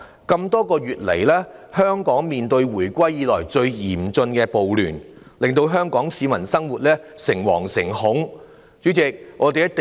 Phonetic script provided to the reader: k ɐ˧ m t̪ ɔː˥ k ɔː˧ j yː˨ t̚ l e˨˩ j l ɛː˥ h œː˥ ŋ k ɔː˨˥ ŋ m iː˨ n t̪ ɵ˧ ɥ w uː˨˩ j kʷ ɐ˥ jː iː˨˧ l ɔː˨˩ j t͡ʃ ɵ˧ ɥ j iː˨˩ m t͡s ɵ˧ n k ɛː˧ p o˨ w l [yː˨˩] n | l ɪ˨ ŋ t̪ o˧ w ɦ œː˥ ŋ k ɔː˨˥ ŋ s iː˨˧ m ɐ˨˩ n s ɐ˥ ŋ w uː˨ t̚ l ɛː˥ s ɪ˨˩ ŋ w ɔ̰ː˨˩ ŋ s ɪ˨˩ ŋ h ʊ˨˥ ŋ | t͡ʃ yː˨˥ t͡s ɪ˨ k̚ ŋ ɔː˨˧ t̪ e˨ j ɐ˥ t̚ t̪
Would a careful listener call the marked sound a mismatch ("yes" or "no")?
no